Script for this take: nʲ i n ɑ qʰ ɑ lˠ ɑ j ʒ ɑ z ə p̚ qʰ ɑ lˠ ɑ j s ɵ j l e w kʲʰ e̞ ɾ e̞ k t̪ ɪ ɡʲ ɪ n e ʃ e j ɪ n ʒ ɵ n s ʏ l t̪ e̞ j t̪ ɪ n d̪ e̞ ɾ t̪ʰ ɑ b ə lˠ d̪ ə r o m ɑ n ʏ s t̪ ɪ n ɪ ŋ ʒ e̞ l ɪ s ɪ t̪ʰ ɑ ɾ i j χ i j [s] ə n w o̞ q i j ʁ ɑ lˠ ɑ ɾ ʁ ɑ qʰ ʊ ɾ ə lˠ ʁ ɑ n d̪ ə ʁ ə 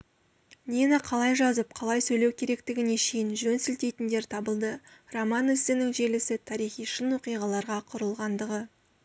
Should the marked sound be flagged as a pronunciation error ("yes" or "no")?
yes